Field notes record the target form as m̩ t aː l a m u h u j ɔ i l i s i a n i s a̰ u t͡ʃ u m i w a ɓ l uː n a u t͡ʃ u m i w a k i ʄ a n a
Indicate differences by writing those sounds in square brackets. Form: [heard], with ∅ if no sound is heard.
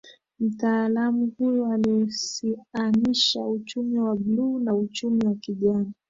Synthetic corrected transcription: m̩ t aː l a m u h u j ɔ [a] l i s i a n i [ʃ] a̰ u t͡ʃ u m i w a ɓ l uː n a u t͡ʃ u m i w a k i ʄ a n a

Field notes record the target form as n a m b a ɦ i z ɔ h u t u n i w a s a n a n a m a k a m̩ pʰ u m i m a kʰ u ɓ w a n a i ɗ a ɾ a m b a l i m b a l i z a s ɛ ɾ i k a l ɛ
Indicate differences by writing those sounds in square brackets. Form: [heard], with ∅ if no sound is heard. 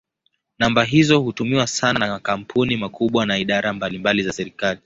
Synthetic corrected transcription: n a m b a ɦ i z ɔ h u t u [m] i w a s a n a n a m a k a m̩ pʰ u [n] i m a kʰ u ɓ w a n a i ɗ a ɾ a m b a l i m b a l i z a s ɛ ɾ i k a l [i]

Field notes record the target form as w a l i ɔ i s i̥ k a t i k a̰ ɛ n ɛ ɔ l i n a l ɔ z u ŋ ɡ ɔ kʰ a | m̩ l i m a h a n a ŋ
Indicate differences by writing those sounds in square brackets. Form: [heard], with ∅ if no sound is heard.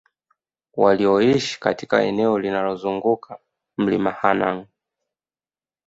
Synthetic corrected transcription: w a l i ɔ i [ʃ] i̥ k a t i k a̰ ɛ n ɛ ɔ l i n a l ɔ z u ŋ ɡ [u] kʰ a | m̩ l i m a h a n a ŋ

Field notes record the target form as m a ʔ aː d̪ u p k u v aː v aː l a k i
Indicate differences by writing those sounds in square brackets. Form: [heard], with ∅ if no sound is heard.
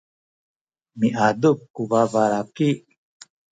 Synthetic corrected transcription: m [i] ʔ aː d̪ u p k u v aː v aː [ɾ] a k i

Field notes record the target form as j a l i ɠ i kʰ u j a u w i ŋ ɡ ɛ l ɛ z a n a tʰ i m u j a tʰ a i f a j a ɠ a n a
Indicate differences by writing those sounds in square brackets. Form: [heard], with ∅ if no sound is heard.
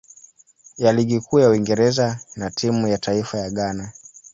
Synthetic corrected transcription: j a l i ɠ i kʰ [uː] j a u w i ŋ ɡ ɛ [ɾ] ɛ z a n a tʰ i m u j a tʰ a i f a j a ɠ a n a

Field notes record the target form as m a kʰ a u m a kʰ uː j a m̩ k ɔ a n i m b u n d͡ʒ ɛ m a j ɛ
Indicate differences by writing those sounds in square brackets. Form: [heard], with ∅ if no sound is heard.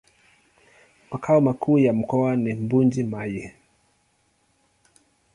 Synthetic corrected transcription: m a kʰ a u m a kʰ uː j a m̩ k ɔ a n i m b u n d͡ʒ [i] m a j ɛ

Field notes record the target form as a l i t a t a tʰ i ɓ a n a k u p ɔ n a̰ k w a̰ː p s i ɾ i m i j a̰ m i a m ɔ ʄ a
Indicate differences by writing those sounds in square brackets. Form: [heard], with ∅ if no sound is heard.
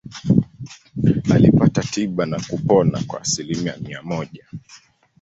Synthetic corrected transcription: a l i [p] a t a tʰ i ɓ a n a k u p ɔ n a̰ k w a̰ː [∅] s i [l] i m i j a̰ m i a m ɔ ʄ a

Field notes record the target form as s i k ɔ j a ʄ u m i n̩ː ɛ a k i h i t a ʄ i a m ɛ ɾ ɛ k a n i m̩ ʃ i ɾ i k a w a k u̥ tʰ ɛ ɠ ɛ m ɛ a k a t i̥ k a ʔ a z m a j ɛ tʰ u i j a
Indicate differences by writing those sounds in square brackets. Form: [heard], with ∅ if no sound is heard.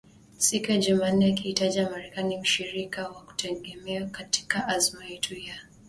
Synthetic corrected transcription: s i k [u] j a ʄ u m [a] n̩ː ɛ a k i h i t a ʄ i a m [a] ɾ ɛ k a n i m̩ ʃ i ɾ i k a w a k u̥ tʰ ɛ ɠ ɛ m ɛ a k a t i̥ k a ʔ a z m a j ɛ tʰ u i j a

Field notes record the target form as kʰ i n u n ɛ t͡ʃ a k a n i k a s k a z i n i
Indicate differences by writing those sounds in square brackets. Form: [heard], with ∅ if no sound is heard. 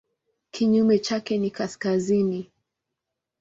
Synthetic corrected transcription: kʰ i [ɲ] u [m] ɛ t͡ʃ a k [ɛ] n i k a s k a z i n i

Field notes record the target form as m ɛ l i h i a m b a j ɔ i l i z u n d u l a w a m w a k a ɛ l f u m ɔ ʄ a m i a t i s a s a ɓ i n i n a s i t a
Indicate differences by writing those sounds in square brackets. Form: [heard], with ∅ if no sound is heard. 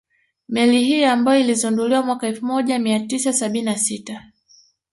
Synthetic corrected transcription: m ɛ l i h i a m b a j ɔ i l i z u n d u l [i] w a m w a k a ɛ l f u m ɔ ʄ a m i a t i s a s a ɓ i n i n a s i t a

